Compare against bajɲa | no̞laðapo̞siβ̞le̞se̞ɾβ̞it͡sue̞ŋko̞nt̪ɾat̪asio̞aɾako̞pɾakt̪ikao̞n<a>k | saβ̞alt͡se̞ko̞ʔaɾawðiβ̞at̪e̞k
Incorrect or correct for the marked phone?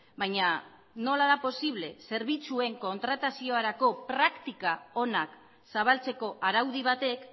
correct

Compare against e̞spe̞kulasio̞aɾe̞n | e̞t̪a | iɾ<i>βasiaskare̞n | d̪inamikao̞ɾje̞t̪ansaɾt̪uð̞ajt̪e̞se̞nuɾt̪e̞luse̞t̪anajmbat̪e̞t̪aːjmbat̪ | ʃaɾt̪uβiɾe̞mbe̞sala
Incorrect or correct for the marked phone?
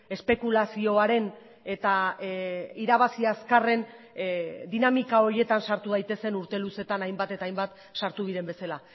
incorrect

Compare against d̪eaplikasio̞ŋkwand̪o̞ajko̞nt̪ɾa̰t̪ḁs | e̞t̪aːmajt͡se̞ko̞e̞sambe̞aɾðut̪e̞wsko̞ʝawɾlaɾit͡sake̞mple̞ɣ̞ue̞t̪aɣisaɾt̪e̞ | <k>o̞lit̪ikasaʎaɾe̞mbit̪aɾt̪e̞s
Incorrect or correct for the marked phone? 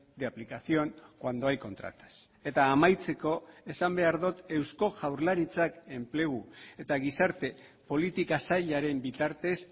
incorrect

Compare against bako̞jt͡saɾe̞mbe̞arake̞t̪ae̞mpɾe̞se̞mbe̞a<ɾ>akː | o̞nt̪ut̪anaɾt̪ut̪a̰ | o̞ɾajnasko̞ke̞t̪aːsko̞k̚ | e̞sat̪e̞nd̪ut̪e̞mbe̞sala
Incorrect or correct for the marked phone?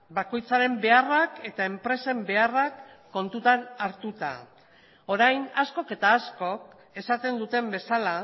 incorrect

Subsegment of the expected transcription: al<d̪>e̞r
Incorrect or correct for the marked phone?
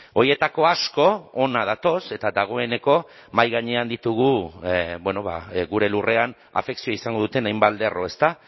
correct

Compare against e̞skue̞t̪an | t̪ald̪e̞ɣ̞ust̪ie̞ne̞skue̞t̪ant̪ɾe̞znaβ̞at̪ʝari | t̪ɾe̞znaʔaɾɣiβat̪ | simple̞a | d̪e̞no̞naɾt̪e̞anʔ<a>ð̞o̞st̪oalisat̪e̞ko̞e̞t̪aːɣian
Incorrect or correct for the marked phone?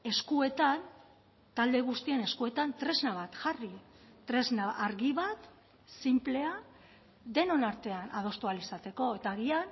correct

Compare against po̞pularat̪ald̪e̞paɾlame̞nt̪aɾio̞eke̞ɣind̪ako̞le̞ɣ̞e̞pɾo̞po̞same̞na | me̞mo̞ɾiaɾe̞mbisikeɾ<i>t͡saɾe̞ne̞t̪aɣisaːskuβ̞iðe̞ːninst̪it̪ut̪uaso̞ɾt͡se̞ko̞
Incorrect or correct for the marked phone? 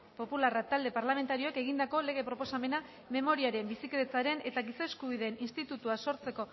incorrect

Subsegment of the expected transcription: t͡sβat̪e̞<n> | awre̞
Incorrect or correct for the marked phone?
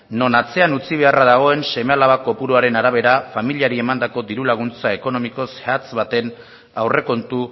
correct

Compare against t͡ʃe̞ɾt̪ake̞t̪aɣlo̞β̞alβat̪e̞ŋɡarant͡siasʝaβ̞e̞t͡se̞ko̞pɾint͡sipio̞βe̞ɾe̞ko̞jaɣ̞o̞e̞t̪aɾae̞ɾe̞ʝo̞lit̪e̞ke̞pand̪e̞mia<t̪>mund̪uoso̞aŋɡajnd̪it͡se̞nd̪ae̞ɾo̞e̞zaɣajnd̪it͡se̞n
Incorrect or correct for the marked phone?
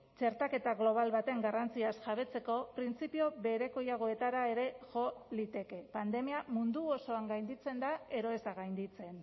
incorrect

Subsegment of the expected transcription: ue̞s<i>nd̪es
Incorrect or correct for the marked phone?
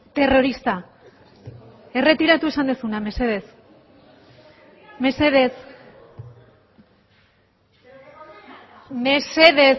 incorrect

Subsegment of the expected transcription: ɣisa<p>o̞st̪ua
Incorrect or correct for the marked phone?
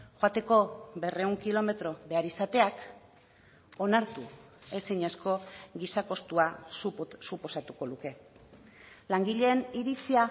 incorrect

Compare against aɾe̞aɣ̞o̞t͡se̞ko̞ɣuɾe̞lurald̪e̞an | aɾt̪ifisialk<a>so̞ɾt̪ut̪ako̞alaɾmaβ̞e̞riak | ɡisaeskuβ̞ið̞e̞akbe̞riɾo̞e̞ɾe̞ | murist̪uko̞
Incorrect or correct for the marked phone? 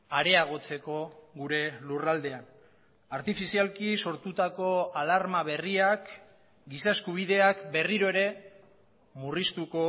incorrect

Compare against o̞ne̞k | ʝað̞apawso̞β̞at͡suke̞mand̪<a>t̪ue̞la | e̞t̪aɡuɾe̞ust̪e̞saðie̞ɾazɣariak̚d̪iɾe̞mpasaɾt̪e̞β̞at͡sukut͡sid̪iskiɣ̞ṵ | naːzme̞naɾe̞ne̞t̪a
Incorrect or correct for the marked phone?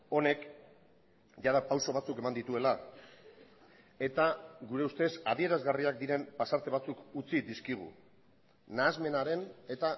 incorrect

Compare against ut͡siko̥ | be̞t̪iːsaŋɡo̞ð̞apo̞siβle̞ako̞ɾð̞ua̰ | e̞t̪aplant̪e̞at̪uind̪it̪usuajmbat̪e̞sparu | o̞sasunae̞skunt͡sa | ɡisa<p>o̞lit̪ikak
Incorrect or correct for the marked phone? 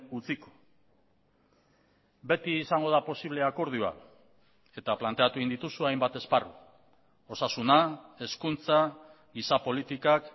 correct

